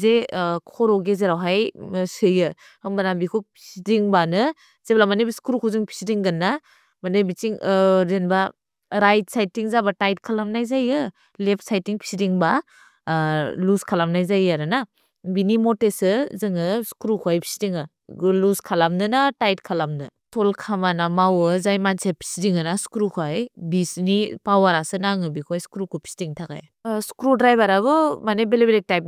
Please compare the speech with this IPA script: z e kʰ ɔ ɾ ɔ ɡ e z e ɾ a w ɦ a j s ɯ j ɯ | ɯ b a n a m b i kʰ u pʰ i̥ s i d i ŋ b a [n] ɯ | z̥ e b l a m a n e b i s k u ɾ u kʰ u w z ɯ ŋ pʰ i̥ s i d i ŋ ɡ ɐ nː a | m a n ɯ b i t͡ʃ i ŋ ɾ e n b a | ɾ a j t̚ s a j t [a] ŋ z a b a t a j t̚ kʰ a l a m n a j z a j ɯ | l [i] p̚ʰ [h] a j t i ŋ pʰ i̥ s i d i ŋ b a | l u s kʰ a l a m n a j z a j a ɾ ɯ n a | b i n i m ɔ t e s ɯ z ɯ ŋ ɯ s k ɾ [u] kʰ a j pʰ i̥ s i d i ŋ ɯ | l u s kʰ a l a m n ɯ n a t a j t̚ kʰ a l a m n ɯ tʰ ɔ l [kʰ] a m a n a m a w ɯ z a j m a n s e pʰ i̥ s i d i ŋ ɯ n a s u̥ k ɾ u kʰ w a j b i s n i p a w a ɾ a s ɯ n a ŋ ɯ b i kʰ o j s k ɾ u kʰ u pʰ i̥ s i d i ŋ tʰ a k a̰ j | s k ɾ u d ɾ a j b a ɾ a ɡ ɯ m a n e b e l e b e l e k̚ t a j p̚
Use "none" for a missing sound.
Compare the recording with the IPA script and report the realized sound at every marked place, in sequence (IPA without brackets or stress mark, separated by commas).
n, i, e, s, u, kʰ